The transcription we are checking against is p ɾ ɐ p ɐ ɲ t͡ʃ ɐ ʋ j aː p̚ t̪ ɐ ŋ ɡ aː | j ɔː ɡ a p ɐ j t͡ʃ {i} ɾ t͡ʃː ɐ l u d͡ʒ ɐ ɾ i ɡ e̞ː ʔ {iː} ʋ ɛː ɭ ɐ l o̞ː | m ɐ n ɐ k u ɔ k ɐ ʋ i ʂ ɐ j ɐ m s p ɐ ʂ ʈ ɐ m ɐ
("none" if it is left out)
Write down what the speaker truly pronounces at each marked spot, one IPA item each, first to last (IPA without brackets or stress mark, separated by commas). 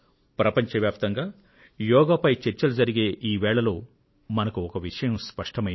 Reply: e, iː